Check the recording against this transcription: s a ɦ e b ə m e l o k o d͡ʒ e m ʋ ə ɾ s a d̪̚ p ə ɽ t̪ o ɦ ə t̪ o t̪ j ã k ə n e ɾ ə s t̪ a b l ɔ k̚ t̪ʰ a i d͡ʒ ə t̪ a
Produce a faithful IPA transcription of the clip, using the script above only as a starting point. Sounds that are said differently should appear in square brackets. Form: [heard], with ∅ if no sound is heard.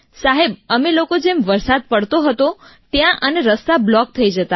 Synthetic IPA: s a ɦ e b ə m e l o k o d͡ʒ e m ʋ ə ɾ s a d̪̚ p ə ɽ t̪ o ɦ ə t̪ o t̪ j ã [ʔ] ə n e ɾ ə s t̪ a b l ɔ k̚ t̪ʰ [ə] i d͡ʒ ə t̪ a